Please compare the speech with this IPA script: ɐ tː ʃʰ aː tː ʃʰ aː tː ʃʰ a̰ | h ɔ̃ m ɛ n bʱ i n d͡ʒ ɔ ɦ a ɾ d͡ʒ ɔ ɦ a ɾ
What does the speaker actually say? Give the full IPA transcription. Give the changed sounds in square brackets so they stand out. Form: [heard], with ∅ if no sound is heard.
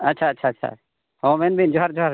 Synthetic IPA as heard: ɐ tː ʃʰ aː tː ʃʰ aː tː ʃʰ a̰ | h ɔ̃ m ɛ n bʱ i n d͡ʒ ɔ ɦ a ɾ d͡ʒ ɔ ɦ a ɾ

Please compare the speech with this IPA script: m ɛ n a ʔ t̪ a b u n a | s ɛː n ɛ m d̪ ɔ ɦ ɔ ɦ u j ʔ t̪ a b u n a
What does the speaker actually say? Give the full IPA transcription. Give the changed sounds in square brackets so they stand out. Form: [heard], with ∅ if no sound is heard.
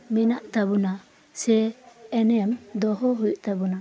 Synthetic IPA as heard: m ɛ n a ʔ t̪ a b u n a | s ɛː n ɛ m d̪ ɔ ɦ ɔ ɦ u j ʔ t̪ a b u n a

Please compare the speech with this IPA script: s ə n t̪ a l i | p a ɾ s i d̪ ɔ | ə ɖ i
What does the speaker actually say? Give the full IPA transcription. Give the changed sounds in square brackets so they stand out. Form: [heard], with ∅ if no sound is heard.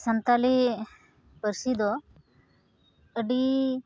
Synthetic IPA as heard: s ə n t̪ a l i | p [ə] ɾ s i d̪ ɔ | ə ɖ i

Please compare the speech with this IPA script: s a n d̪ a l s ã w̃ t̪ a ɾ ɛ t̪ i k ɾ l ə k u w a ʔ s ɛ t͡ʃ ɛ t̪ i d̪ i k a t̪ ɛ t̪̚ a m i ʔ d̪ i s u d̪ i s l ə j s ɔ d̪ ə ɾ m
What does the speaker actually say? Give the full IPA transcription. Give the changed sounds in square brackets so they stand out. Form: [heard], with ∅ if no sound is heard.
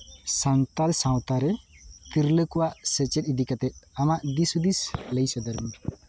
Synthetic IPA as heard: s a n [t̪] a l s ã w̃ t̪ a ɾ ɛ t̪ i [∅] ɾ l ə k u w a ʔ s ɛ t͡ʃ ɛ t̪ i d̪ i k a t̪ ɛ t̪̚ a m [a] ʔ d̪ i s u d̪ i s l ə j s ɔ d̪ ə ɾ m

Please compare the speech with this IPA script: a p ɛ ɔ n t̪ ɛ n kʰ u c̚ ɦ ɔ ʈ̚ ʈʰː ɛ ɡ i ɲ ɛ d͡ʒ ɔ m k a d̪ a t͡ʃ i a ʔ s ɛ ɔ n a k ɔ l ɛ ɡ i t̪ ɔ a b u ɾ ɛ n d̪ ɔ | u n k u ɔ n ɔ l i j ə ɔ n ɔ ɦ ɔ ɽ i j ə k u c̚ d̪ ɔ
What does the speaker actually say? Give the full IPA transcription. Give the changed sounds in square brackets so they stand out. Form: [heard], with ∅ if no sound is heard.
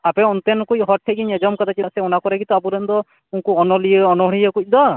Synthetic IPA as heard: a p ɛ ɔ n t̪ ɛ n [k] u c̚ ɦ ɔ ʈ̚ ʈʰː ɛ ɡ i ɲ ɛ d͡ʒ ɔ m k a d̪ a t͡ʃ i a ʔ s ɛ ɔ n a k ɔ [ɾ] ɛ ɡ i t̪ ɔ a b u ɾ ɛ n d̪ ɔ | u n k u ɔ n ɔ l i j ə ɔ n ɔ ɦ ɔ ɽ i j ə k u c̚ d̪ ɔ

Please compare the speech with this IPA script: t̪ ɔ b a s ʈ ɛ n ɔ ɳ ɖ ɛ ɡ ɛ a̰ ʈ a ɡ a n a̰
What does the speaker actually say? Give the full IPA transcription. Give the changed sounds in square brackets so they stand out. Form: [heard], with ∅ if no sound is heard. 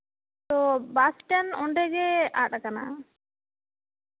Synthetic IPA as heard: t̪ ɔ b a s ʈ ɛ n ɔ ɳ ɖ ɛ ɡ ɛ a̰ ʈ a [k] a n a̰

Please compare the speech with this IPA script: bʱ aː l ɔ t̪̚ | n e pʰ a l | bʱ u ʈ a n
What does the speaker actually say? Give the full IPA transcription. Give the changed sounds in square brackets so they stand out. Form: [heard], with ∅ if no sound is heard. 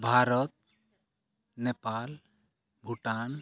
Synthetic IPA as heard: bʱ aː [ɾ] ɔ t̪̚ | n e [p] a l | bʱ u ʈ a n

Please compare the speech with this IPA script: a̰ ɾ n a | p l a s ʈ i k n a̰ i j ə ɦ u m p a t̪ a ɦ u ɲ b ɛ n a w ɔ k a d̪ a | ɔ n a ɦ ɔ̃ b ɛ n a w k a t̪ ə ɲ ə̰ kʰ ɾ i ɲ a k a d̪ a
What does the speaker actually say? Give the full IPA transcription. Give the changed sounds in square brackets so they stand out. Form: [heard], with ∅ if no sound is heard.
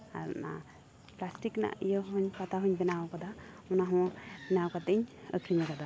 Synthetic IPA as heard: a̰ ɾ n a | p l a s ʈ i k n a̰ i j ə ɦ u [ɲ] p a t̪ a ɦ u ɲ b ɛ n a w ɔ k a d̪ a | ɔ n a ɦ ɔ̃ b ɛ n a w k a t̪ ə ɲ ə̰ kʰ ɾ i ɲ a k a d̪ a

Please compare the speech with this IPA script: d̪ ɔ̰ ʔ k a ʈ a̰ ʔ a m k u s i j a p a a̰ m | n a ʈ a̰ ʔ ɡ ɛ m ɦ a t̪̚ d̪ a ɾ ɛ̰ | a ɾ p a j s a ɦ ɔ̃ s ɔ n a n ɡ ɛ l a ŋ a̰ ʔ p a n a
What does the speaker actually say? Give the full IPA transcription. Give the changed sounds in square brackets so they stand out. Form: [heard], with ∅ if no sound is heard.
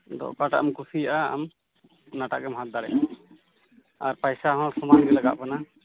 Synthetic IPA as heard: d̪ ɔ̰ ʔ k a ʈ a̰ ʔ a m k u s i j a [ʔ] a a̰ m | n a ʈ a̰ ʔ ɡ ɛ m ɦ a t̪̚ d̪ a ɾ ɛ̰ | a ɾ p a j s a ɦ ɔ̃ s ɔ [m] a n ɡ ɛ l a [ɡ] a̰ ʔ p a n a

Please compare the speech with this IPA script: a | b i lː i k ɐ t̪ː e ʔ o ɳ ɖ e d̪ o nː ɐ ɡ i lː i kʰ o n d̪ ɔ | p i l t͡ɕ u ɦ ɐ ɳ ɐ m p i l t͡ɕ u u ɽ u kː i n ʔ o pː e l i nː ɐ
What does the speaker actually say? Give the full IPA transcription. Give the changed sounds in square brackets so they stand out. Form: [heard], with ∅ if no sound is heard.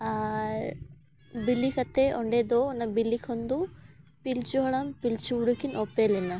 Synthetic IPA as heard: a | b i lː i k ɐ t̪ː e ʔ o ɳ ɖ e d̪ o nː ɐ [b] i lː i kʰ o n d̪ [u] | p i l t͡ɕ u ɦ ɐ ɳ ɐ m p i l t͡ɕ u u ɽ u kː i n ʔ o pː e l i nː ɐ

